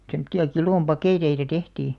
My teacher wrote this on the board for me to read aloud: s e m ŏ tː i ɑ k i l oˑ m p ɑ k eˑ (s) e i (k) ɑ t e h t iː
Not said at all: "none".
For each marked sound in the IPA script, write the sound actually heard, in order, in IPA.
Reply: t, t

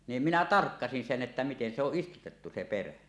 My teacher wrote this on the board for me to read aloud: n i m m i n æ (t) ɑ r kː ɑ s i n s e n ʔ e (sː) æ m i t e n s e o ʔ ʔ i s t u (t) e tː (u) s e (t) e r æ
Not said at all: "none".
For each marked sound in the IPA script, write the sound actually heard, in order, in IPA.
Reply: t, tː, t, u, p

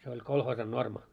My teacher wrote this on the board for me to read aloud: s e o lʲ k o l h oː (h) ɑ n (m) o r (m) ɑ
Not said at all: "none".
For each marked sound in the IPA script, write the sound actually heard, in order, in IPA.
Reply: s, n, m

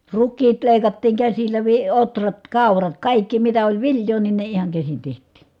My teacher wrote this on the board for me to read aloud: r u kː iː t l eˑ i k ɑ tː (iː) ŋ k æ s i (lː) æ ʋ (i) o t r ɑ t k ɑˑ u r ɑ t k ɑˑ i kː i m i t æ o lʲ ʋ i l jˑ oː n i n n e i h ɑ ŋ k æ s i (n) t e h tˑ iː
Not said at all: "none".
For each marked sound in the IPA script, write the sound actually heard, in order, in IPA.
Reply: iː, lː, i, n

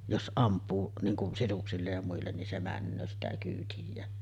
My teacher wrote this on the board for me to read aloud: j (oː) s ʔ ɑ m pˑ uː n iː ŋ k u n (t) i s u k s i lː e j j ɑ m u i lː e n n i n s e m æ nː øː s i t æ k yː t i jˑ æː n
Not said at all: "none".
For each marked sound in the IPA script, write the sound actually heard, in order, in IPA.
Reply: o, s

